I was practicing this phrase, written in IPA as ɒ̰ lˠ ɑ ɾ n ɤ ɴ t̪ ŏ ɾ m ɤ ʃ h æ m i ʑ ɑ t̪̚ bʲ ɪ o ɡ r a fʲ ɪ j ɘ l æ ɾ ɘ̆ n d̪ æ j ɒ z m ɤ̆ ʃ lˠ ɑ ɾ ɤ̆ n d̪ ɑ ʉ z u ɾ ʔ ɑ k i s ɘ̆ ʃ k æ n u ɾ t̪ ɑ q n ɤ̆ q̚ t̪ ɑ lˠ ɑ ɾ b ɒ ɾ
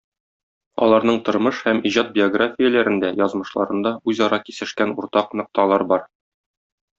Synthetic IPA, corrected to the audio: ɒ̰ lˠ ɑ ɾ n ɤ ɴ t̪ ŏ ɾ m ɤ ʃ h æ m i ʑ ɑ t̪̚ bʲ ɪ o ɡ r a fʲ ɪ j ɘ l æ ɾ ɘ̆ n d̪ æ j ɒ z m ɤ̆ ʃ lˠ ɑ ɾ ɤ̆ n d̪ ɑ ʉ z ɒ ɾ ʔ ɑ k i s ɘ̆ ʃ k æ n u ɾ t̪ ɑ q n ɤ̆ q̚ t̪ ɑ lˠ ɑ ɾ b ɒ ɾ